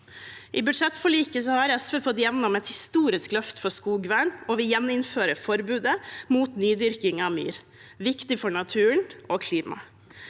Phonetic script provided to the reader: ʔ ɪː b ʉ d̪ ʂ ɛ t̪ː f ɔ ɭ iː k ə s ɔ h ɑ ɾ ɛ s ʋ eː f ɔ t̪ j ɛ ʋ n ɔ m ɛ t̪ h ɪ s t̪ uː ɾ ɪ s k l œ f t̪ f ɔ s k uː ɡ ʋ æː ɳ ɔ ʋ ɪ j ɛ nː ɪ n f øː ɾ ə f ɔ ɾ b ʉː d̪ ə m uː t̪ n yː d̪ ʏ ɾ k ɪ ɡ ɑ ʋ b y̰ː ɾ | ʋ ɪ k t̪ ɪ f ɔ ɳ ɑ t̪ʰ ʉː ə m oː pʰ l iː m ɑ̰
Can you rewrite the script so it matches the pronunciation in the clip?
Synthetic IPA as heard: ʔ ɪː b ʉ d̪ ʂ ɛ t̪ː f ɔ ɭ iː k ə s ɔ h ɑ ɾ ɛ s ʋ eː f ɔ t̪ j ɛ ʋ n ɔ m ɛ t̪ h ɪ s t̪ uː ɾ ɪ s k l œ f t̪ f ɔ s k uː ɡ ʋ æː ɳ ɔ ʋ ɪ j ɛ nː ɪ n f øː ɾ ə f ɔ ɾ b ʉː d̪ ə m uː t̪ n yː d̪ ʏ ɾ k ɪ ŋ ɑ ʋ m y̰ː ɾ | ʋ ɪ k t̪ ɪ f ɔ ɳ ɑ t̪ʰ ʉː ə ɳ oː kʰ l iː m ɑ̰